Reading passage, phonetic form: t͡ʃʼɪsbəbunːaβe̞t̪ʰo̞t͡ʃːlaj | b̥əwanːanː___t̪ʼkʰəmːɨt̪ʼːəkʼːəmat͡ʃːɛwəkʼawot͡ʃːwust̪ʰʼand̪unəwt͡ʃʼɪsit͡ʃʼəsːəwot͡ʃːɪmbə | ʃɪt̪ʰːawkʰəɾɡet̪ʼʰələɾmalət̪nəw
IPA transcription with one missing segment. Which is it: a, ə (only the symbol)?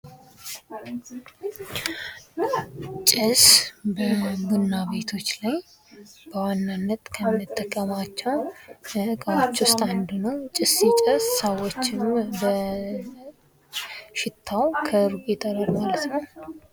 ə